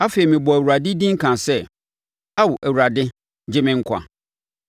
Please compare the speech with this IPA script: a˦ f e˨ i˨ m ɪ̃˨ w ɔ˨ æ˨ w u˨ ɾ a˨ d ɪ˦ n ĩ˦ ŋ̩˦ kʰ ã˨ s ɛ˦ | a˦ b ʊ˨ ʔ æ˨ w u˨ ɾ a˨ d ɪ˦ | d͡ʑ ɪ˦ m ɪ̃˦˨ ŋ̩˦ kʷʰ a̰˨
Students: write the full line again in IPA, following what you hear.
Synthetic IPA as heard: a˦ f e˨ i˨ m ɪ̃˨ b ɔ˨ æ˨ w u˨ ɾ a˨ d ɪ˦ d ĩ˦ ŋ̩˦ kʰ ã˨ s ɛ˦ | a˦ w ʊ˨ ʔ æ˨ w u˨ ɾ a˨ d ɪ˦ | d͡ʑ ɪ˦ m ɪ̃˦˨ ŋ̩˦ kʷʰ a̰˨